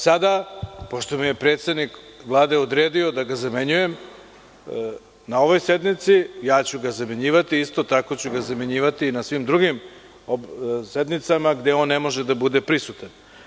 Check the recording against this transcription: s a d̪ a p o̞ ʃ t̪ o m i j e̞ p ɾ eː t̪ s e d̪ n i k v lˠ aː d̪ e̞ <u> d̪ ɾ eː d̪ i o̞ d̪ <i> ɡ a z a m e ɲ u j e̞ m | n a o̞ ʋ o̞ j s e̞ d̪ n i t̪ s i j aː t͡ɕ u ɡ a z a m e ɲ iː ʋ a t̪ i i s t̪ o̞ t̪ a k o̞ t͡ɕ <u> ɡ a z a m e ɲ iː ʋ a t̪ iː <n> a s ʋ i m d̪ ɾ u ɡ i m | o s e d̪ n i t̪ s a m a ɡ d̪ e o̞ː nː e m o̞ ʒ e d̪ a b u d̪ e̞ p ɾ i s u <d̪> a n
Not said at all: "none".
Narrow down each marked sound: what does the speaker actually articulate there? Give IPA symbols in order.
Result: o, a, u, n, t̪

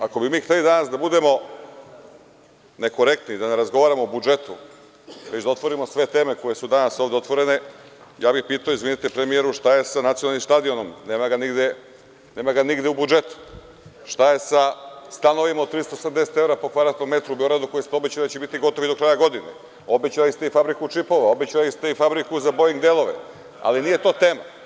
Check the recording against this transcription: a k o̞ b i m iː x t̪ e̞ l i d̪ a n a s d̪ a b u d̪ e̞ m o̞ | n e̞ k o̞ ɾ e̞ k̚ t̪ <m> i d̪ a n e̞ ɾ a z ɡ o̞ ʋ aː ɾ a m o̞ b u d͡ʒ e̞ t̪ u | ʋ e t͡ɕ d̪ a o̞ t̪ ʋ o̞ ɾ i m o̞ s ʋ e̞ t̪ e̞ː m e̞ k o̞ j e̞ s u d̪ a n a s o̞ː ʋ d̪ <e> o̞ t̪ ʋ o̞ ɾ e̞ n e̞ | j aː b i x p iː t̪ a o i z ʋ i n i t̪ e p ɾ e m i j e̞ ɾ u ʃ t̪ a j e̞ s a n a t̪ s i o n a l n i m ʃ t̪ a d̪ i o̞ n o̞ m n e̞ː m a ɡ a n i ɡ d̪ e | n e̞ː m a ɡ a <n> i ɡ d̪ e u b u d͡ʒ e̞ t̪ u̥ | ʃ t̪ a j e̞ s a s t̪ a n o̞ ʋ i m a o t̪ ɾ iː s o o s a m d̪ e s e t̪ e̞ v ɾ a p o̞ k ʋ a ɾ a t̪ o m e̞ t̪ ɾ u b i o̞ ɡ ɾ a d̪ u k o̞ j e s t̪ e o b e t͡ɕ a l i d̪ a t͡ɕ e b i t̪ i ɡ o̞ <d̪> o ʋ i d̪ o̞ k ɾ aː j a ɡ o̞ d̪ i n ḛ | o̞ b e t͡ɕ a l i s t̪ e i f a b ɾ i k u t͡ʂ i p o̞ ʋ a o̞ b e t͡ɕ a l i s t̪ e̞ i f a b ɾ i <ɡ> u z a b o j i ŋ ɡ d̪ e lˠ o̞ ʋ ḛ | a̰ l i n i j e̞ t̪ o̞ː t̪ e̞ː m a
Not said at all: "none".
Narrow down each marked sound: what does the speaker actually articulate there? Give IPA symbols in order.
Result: n, e, n, t̪, k

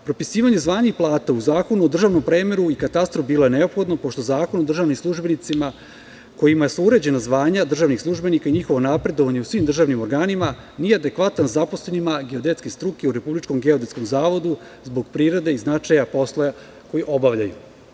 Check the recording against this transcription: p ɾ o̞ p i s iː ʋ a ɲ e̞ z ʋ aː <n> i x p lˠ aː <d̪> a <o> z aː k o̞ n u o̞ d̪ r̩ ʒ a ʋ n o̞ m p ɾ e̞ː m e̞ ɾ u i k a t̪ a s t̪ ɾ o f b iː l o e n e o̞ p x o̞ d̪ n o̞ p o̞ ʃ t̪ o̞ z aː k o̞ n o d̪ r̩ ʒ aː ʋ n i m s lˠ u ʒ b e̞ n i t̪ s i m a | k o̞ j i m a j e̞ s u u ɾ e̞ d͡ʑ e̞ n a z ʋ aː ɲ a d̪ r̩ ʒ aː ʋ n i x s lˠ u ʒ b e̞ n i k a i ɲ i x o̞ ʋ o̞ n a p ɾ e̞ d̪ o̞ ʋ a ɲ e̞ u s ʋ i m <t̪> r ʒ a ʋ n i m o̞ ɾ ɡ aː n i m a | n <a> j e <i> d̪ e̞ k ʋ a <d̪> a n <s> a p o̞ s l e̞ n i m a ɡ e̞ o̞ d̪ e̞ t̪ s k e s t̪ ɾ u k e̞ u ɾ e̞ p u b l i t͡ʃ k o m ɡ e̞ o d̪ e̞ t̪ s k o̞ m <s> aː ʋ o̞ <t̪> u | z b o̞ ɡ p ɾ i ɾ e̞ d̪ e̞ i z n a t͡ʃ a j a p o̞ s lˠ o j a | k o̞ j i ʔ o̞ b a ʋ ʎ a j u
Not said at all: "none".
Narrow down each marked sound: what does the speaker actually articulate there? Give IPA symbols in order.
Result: ɲ, t̪, u, d̪, i, a, t̪, z, z, d̪

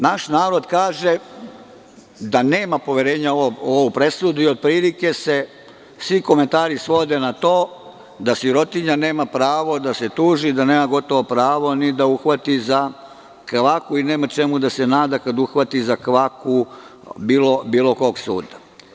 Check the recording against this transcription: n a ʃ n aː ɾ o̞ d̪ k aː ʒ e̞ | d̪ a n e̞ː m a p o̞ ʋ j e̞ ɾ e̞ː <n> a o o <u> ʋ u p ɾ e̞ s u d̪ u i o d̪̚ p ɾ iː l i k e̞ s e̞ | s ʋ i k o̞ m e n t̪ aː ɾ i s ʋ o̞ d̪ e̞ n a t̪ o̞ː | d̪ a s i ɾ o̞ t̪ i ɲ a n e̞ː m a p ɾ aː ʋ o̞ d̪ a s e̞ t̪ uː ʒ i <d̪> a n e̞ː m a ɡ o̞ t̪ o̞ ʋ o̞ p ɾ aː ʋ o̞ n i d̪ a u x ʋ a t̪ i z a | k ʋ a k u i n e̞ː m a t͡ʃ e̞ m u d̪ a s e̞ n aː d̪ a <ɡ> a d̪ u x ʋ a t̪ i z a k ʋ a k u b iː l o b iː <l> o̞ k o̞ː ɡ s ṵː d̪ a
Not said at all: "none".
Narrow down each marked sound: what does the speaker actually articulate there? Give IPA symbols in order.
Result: ɲ, o, d̪, k, l

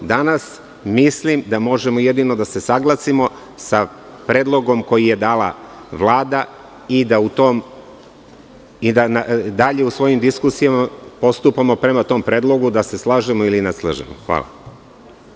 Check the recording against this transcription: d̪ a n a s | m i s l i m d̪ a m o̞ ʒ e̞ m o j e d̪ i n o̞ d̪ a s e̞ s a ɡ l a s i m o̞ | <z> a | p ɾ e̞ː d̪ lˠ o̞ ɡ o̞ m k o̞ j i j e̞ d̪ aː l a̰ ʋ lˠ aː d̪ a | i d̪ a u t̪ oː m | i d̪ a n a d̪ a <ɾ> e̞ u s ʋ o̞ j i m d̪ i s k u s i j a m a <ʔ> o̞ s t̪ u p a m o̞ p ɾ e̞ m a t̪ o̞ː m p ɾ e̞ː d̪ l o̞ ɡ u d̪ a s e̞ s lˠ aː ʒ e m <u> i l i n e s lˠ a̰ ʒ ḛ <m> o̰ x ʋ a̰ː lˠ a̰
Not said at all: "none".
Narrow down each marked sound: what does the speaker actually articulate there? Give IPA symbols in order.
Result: s, ʎ, p, o, m

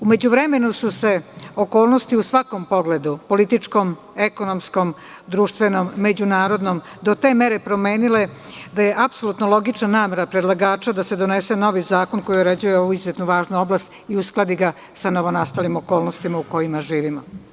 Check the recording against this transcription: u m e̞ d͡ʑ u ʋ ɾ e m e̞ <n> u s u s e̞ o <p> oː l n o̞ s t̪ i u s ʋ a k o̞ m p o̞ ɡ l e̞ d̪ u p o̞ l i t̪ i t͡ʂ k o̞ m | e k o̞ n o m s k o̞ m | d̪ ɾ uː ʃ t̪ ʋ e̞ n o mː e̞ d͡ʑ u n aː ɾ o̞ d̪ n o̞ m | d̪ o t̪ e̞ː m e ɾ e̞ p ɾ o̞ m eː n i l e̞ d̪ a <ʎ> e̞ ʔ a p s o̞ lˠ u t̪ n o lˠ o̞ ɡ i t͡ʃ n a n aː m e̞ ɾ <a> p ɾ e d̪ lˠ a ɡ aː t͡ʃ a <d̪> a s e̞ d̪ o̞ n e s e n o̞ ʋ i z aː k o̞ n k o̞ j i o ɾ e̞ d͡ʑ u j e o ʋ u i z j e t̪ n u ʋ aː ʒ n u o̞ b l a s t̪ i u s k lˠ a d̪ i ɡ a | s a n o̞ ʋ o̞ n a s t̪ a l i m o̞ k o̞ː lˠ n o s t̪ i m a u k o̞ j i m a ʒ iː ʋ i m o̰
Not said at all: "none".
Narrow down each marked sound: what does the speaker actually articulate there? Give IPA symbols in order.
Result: n, k, j, a, d̪

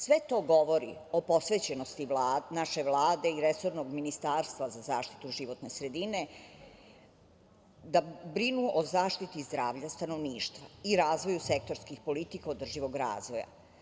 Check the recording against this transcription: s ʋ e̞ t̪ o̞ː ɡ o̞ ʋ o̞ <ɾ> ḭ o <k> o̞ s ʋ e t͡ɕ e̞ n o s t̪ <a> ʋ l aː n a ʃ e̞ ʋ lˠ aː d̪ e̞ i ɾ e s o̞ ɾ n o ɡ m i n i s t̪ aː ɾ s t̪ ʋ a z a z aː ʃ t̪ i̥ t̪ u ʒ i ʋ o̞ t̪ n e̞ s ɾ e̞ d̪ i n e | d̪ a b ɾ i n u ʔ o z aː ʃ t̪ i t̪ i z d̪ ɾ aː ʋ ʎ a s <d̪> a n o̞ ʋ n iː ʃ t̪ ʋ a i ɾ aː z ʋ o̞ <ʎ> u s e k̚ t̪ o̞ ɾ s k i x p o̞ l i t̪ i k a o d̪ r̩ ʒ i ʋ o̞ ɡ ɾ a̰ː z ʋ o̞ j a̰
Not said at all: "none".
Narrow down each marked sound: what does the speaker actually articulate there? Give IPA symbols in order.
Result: ɾ, p, i, t̪, j

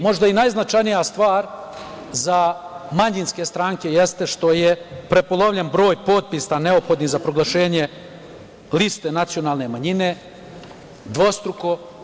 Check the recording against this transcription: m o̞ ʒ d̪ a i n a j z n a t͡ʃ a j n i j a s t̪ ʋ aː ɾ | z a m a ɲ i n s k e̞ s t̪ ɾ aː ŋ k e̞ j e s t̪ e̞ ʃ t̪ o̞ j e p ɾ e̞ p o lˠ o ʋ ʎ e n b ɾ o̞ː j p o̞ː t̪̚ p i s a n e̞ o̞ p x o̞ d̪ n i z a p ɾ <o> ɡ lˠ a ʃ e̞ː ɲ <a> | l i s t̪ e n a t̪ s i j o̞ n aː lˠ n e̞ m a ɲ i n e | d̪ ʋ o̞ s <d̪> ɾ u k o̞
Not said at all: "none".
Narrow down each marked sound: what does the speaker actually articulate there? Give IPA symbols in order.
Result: o, e, t̪

